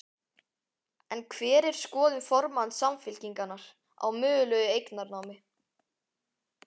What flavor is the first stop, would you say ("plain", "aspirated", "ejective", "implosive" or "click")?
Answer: aspirated